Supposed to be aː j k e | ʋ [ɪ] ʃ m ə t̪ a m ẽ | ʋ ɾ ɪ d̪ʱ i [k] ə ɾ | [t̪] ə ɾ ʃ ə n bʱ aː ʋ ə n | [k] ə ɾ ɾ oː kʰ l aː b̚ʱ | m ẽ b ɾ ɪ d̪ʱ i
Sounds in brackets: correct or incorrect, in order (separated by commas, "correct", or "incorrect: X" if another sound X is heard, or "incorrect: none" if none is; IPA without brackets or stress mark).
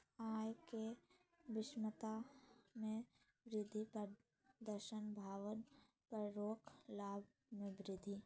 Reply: correct, incorrect: p, incorrect: d̪, incorrect: p